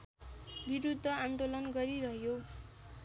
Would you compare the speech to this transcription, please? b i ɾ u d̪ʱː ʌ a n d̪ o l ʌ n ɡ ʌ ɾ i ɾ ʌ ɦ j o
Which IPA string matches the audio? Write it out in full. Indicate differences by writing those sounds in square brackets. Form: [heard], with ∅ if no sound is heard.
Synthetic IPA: b i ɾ u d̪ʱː ʌ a n d̪ o l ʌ n ɡ ʌ ɾ i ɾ ʌ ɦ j o